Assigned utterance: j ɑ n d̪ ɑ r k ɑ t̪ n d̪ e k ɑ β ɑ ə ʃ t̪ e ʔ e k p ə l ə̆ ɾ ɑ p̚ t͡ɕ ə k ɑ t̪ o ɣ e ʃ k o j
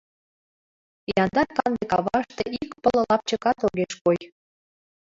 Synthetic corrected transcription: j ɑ n d̪ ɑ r k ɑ n d̪ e k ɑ β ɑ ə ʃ t̪ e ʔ i k p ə l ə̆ l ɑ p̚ t͡ɕ ə k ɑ t̪ o ɣ e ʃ k o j